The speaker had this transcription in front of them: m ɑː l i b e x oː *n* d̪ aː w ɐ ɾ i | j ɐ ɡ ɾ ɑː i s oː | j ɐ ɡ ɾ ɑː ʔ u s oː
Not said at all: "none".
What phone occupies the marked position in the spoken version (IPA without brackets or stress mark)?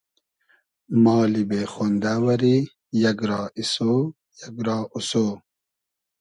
n